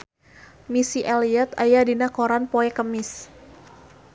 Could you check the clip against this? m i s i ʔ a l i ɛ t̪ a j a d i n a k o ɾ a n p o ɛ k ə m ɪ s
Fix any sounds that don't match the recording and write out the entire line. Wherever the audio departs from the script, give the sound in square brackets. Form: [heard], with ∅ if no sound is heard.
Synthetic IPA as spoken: m i s i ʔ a l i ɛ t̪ a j a d i n a k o ɾ a n p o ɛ k ə m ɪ s